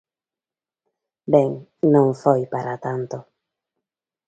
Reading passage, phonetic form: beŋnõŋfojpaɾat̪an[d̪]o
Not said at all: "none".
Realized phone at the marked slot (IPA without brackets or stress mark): t̪